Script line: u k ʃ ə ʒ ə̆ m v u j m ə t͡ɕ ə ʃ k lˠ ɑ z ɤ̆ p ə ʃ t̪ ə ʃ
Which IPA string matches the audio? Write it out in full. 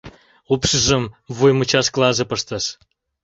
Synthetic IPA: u p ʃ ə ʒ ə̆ m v u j m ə t͡ɕ ɑ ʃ k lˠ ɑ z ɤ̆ p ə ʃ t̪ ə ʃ